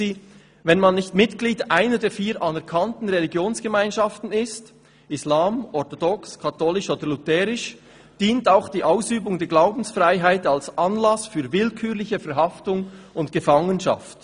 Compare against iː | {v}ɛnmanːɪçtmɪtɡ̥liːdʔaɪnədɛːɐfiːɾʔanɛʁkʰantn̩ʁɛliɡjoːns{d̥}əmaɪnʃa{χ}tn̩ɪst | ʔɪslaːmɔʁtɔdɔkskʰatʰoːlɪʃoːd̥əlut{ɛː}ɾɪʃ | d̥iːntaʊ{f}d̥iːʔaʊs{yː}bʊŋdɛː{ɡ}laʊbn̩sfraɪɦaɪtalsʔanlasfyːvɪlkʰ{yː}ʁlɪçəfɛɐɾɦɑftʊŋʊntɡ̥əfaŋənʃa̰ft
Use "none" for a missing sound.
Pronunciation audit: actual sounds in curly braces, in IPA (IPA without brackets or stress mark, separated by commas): v, ɡ̥, f, ɛː, x, yː, ɡ, yː